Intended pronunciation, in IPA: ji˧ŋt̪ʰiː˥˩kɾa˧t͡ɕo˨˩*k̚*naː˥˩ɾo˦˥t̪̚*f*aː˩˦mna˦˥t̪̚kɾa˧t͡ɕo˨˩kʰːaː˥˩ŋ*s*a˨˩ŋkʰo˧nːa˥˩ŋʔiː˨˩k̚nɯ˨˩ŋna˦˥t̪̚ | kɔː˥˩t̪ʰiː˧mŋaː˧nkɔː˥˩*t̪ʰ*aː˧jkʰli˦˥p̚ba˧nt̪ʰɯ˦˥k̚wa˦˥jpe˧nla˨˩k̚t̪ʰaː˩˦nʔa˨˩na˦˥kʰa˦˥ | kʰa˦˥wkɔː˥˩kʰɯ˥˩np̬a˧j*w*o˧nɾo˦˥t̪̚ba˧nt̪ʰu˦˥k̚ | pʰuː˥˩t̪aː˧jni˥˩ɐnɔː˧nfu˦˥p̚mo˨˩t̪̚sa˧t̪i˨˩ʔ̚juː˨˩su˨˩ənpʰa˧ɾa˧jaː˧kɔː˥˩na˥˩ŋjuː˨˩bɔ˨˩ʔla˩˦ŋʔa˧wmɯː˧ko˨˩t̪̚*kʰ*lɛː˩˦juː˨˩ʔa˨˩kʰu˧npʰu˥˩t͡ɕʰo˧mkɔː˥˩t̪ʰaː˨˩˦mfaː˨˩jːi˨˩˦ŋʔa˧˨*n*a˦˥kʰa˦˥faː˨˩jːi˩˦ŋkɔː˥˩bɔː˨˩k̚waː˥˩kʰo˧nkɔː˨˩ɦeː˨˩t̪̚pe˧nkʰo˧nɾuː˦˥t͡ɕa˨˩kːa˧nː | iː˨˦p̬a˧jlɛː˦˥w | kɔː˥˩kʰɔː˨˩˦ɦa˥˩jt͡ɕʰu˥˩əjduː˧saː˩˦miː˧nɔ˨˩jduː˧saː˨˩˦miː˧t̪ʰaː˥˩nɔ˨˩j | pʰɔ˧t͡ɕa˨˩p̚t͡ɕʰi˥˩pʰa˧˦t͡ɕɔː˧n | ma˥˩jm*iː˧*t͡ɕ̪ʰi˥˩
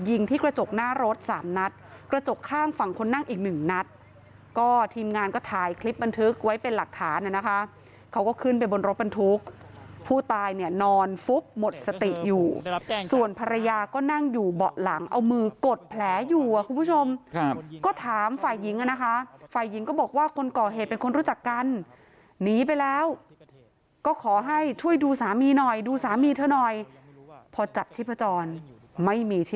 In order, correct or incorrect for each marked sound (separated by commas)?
correct, incorrect, incorrect, correct, incorrect, incorrect, correct, correct